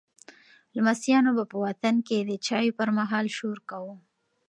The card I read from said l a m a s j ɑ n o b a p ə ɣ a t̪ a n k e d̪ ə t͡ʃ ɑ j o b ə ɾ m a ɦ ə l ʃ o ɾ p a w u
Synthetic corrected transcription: l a m a s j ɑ n o b a p ə w a t̪ a n k e d̪ ə t͡ʃ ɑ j o p ə ɾ m a ɦ ɑ l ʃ o ɾ k a w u